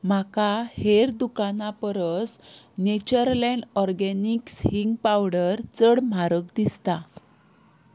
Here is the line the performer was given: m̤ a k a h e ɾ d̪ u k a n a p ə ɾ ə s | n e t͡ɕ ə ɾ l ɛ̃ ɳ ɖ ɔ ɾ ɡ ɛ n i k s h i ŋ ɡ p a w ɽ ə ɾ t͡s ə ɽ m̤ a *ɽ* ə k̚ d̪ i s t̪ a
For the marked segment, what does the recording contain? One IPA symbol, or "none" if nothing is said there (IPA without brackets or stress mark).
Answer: ɾ